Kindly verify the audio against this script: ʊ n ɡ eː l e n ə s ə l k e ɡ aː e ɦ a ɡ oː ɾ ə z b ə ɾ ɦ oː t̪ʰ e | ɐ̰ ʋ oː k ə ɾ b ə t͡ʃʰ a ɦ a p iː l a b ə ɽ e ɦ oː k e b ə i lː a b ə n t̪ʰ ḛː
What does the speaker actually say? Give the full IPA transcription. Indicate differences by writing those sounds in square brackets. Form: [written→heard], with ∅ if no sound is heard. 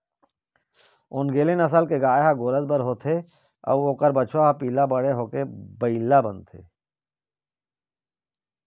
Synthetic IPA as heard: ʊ n ɡ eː l e n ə s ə l k e ɡ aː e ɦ a ɡ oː ɾ ə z b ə ɾ ɦ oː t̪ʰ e | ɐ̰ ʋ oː k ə ɾ b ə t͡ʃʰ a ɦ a p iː l a b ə ɽ e ɦ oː k e b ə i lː a b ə n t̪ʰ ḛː